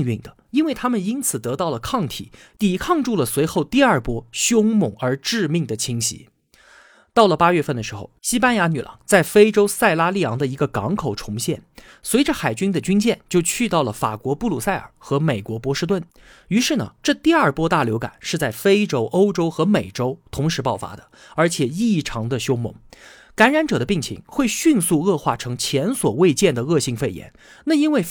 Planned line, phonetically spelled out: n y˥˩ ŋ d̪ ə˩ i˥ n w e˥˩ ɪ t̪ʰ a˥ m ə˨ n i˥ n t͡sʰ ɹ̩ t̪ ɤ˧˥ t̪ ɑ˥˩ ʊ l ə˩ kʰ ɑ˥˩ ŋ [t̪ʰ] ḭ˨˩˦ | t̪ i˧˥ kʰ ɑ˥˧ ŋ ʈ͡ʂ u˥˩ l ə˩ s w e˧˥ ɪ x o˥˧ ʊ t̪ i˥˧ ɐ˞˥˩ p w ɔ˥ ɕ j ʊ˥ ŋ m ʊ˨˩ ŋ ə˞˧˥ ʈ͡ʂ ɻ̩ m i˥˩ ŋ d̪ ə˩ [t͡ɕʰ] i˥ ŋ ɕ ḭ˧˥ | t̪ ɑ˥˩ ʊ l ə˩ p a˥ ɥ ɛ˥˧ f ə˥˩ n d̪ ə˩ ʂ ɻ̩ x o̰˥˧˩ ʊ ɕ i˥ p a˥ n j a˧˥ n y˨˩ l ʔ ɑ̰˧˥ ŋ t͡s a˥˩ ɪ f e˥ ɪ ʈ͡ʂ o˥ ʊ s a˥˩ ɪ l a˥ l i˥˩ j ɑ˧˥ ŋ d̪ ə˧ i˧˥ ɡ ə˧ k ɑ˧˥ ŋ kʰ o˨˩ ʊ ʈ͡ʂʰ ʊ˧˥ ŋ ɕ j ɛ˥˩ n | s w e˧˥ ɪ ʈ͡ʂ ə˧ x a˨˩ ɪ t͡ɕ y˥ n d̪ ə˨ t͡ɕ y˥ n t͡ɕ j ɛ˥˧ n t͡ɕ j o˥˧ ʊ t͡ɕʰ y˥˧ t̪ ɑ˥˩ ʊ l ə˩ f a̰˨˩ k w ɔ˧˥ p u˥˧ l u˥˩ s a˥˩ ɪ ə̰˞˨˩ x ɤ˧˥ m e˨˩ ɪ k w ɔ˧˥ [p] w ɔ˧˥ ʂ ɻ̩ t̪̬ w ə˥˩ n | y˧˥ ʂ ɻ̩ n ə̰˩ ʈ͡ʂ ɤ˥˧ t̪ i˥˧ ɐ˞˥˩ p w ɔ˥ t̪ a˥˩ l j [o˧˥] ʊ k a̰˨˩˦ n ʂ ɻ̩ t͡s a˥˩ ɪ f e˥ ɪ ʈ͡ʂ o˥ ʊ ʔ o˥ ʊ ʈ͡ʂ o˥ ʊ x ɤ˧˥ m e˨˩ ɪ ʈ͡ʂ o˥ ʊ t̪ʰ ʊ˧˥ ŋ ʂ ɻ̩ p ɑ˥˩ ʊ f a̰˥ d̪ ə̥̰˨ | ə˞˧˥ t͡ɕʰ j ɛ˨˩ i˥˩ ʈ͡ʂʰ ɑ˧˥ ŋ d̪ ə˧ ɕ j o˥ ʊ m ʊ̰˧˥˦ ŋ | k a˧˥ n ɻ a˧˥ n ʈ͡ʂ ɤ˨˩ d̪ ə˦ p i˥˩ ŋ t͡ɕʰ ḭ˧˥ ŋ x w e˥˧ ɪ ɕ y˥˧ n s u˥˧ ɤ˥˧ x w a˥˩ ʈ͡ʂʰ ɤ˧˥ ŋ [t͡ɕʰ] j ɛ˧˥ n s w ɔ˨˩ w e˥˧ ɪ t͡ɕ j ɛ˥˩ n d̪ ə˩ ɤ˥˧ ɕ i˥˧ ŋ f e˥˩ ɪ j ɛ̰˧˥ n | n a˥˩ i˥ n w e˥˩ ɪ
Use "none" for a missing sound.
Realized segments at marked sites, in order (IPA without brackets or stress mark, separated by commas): t̪ʰ, t͡ɕʰ, p, o˧˥, t͡ɕʰ